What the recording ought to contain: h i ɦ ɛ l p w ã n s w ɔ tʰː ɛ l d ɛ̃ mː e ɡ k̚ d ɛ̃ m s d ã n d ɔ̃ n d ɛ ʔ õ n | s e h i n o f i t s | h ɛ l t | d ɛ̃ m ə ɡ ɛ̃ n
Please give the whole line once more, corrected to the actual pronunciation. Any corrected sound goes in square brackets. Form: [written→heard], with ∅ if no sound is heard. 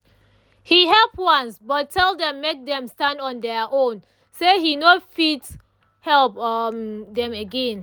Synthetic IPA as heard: h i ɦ ɛ l p w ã n s [w→b] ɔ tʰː ɛ l d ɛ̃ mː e [ɡ→∅] k̚ d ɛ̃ m s [d→t] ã n d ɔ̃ n d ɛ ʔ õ n | s e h i n o f i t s | h ɛ l [t→p] | d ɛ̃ m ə ɡ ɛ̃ n